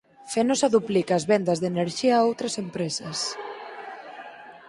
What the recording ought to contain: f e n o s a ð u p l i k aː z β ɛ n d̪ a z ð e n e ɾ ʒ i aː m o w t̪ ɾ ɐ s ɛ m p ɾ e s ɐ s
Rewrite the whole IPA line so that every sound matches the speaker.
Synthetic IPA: f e n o s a ð u p l i k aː z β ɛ n d̪ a z ð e n e ɾ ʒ i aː o w t̪ ɾ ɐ s e m p ɾ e s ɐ s

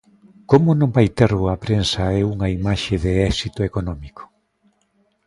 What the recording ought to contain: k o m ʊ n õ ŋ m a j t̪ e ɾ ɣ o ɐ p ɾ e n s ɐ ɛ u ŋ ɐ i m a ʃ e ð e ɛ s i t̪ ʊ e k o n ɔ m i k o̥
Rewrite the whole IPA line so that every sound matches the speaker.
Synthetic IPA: k o m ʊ n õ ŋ b a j t̪ e ɾ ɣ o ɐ p ɾ e n s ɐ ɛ u ŋ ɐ i m a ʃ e ð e ɛ s i t̪ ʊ e k o n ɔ m i k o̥

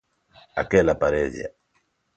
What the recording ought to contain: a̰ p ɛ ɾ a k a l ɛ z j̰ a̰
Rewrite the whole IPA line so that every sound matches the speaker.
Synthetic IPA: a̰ k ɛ l a p a ɾ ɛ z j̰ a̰

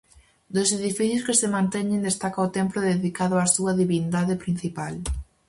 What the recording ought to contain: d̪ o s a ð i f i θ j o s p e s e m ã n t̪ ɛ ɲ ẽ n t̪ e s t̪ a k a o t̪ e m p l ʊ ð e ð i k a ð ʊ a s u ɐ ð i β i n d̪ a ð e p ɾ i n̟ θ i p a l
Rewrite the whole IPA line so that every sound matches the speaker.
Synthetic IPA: d̪ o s e ð i f i θ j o s k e s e m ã n t̪ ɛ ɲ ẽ n d̪ e s t̪ a k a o t̪ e m p l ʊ ð e ð i k a ð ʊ a s u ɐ ð i β i n d̪ a ð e p ɾ i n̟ θ i p a l

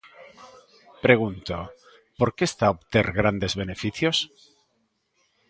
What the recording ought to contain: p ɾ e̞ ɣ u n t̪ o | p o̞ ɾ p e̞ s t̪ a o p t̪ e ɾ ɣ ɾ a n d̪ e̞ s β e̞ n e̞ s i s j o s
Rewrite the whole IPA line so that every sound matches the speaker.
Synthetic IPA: p ɾ e̞ ɣ u n t̪ o | p o̞ ɾ k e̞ s t̪ a o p t̪ e ɾ ɣ ɾ a n d̪ e̞ z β e̞ n e̞ f i θ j o s

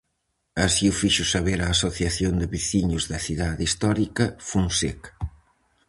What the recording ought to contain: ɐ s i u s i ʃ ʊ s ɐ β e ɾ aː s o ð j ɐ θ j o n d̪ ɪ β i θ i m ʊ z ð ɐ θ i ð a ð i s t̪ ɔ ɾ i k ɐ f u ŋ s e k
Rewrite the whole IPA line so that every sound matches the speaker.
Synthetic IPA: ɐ s i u f i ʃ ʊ s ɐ β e ɾ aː s o θ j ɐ θ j o n d̪ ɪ β i θ i ɲ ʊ z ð ɐ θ i ð a ð i s t̪ ɔ ɾ i k ɐ f u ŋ s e k

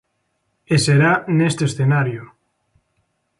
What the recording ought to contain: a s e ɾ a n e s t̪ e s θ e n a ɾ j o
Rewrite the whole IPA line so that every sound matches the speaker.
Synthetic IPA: e s e ɾ a n e s t̪ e s θ e n a ɾ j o

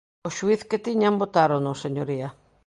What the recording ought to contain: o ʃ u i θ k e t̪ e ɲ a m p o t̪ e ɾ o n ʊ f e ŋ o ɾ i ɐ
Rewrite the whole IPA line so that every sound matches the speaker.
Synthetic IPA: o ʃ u i θ k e t̪ i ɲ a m b o t̪ a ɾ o n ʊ s e ɲ o ɾ i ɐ

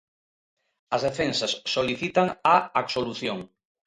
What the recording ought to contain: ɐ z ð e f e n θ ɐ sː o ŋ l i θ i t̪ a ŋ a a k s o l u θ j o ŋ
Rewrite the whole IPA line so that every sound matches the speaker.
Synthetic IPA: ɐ z ð e f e n s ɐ sː o l i θ i t̪ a ŋ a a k s o l u θ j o ŋ

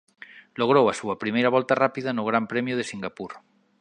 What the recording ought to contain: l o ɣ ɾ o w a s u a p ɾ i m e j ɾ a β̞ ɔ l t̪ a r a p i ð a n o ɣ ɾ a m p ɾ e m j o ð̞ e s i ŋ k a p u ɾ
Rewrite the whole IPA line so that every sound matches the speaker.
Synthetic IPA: l o ɣ ɾ o w a s u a p ɾ i m e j ɾ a β̞ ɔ l t̪ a r a p i ð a n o ɣ ɾ a m p ɾ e m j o ð̞ e s i ŋ ɡ a p u ɾ

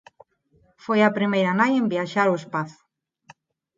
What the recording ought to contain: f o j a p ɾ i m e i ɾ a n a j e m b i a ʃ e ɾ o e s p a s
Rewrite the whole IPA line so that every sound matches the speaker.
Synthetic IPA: f o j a p ɾ i m e j ɾ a n a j e m b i a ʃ a ɾ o e s p a θ

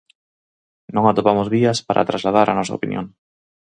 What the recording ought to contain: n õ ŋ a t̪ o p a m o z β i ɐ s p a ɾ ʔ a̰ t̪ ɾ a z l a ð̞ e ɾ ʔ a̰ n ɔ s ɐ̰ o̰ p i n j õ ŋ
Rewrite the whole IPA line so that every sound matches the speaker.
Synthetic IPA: n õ ŋ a t̪ o p a m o z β i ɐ s p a ɾ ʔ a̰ t̪ ɾ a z l a ð̞ a ɾ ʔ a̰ n ɔ s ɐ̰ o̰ p i n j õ ŋ

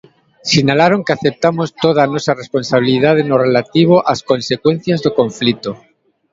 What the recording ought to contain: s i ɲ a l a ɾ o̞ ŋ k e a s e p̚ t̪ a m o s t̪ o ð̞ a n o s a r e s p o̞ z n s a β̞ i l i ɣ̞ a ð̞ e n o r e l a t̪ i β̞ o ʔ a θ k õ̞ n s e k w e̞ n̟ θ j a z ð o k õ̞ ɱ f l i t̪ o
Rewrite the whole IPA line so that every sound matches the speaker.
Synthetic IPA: s i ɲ a l a ɾ o̞ ŋ k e a θ e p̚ t̪ a m o s t̪ o ð̞ a n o s a r e s p o̞ n s a β̞ i l i ð̞ a ð̞ e n o r e l a t̪ i β̞ o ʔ a s k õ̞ n s e k w e̞ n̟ θ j a z ð o k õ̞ ɱ f l i t̪ o

